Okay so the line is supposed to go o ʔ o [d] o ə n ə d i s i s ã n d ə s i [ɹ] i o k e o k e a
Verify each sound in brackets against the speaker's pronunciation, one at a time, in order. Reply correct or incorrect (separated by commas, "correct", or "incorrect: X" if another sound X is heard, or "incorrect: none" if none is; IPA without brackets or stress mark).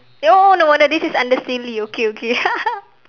incorrect: n, incorrect: l